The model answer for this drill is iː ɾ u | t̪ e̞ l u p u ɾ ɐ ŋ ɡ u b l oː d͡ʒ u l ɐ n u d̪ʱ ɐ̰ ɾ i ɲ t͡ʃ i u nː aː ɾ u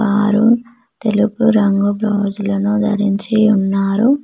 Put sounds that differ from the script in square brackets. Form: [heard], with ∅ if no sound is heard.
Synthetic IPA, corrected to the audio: [aː] ɾ u | t̪ e̞ l u p u ɾ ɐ ŋ ɡ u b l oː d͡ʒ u l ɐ n u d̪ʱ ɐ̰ ɾ i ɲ t͡ʃ i u nː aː ɾ u

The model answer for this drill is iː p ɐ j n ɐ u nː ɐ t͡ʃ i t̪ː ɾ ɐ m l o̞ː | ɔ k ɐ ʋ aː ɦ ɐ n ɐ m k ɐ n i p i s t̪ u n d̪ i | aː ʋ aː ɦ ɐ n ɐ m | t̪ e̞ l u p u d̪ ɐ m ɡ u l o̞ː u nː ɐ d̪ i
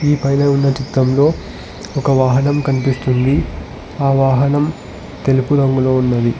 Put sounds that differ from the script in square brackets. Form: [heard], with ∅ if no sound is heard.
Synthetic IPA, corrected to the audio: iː p ɐ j n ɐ u nː ɐ t͡ʃ i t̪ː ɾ ɐ m l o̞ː | ɔ k ɐ ʋ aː ɦ ɐ n ɐ m k ɐ n i p i s t̪ u n d̪ i | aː ʋ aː ɦ ɐ n ɐ m | t̪ e̞ l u p u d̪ ɐ [ŋ] ɡ u l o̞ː u nː ɐ d̪ i

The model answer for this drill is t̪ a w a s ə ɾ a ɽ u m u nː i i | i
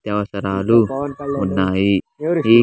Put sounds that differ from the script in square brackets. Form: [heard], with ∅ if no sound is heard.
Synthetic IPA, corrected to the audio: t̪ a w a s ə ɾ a [l] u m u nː [a] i | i

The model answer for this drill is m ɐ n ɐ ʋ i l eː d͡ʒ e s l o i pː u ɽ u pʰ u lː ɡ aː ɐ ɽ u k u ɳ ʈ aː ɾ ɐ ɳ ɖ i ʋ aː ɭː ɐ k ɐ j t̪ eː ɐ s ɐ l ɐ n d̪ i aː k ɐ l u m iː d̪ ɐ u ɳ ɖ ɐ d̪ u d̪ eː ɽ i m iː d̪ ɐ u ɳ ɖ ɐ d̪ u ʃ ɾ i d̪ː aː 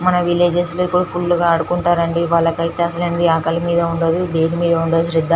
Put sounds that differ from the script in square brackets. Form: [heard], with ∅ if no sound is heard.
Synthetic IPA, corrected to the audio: m ɐ n ɐ ʋ i l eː d͡ʒ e s l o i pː u ɽ u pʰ u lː ɡ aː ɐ ɽ u k u ɳ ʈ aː ɾ ɐ ɳ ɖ i ʋ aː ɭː ɐ k ɐ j t̪ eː ɐ s ɐ l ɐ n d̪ i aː k ɐ l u m iː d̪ ɐ u ɳ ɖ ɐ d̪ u d̪ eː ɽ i m iː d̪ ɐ u ɳ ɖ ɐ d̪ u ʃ ɾ i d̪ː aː

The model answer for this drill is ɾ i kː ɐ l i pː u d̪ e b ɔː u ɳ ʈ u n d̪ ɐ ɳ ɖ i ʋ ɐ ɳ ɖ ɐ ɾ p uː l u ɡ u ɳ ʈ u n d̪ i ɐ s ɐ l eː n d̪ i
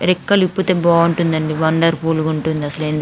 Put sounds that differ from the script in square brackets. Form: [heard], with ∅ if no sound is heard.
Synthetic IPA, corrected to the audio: ɾ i kː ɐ l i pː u [t̪] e b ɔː u ɳ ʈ u n d̪ ɐ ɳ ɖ i ʋ ɐ ɳ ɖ ɐ ɾ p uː l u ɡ u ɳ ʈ u n d̪ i ɐ s ɐ l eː n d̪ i

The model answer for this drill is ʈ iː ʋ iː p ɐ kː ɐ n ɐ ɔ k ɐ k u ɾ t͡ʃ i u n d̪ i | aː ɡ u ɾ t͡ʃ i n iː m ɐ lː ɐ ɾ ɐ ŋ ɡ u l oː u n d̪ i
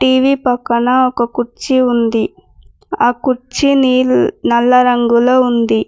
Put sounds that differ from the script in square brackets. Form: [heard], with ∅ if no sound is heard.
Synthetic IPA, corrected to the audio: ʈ iː ʋ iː p ɐ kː ɐ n ɐ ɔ k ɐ k u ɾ t͡ʃ i u n d̪ i | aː [k] u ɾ t͡ʃ i n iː [n] ɐ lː ɐ ɾ ɐ ŋ ɡ u l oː u n d̪ i

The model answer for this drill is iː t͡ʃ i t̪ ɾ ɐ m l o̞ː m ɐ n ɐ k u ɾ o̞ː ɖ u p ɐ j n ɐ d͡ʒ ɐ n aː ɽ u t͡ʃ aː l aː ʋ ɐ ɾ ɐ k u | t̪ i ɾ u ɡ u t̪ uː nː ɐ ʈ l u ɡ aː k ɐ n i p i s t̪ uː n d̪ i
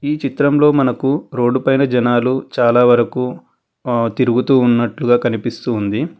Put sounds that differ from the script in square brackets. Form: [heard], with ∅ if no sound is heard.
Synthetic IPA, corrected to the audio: iː t͡ʃ i t̪ ɾ ɐ m l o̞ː m ɐ n ɐ k u ɾ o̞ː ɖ u p ɐ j n ɐ d͡ʒ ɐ n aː [l] u t͡ʃ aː l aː ʋ ɐ ɾ ɐ k u | t̪ i ɾ u ɡ u t̪ uː nː ɐ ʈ l u ɡ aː k ɐ n i p i s t̪ uː n d̪ i

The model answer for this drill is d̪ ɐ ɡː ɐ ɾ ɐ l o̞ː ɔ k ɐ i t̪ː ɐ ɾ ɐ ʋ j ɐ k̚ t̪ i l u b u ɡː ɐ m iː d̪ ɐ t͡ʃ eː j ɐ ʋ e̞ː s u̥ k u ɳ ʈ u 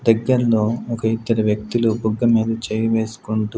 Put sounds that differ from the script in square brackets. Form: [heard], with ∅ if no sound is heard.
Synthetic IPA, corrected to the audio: d̪ ɐ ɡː ɐ ɾ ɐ l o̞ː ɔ k ɐ i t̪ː ɐ ɾ ɐ ʋ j ɐ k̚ t̪ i l u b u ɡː ɐ m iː d̪ ɐ t͡ʃ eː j ɐ ʋ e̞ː s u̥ k u ɳ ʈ u

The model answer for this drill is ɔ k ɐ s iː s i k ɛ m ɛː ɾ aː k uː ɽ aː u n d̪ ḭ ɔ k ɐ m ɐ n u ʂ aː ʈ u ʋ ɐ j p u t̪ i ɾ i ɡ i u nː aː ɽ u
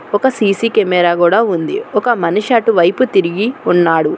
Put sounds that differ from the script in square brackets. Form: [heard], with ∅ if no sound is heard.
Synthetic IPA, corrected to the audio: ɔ k ɐ s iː s i k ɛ m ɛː ɾ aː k uː ɽ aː u n d̪ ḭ ɔ k ɐ m ɐ n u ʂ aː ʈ u ʋ ɐ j p u t̪ i ɾ i ɡ i u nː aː ɽ u

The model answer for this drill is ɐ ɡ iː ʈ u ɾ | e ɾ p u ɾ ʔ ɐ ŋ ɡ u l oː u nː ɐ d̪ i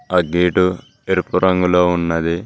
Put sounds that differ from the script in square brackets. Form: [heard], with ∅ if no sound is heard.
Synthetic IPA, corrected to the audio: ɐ ɡ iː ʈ u [∅] | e ɾ p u ɾ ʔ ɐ ŋ ɡ u l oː u nː ɐ d̪ i

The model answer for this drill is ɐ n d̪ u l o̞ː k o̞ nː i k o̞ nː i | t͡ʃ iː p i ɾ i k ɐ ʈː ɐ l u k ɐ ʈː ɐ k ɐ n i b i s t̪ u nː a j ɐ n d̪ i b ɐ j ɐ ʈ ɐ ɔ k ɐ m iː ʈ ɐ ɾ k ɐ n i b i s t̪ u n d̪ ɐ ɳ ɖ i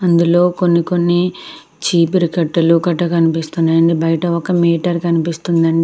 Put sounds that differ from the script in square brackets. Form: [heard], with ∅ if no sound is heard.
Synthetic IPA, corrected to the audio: ɐ n d̪ u l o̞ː k o̞ nː i k o̞ nː i | t͡ʃ iː p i ɾ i k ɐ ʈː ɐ l u k ɐ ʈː ɐ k ɐ n i [p] i s t̪ u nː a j ɐ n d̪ i b ɐ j ɐ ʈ ɐ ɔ k ɐ m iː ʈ ɐ ɾ k ɐ n i [p] i s t̪ u n d̪ ɐ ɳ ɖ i

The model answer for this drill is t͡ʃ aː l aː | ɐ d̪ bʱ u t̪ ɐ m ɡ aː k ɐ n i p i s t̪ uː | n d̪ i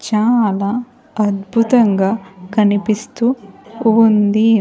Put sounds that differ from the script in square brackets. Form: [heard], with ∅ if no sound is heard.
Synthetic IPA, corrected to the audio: t͡ʃ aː l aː | ɐ d̪ bʱ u t̪ ɐ [ŋ] ɡ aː k ɐ n i p i s t̪ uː | n d̪ i

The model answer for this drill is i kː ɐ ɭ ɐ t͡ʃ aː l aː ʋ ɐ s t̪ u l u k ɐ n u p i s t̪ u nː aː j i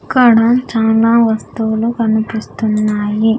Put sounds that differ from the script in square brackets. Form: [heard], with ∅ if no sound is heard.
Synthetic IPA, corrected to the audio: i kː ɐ [ɽ] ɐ t͡ʃ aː l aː ʋ ɐ s t̪ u l u k ɐ n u p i s t̪ u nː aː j i

